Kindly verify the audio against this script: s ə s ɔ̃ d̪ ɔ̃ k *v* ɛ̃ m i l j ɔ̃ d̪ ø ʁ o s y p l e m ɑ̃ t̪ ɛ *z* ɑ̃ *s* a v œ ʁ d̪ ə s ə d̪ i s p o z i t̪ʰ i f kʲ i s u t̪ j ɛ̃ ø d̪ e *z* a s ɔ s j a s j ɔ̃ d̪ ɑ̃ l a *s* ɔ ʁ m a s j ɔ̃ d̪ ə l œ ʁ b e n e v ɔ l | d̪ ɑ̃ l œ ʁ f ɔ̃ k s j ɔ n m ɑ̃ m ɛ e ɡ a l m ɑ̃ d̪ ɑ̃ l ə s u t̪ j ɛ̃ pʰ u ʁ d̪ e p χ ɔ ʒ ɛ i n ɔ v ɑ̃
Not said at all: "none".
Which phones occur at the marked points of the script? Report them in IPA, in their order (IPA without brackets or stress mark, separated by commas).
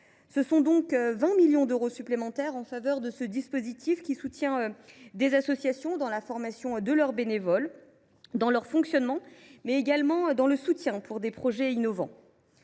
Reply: v, ʁ, f, z, f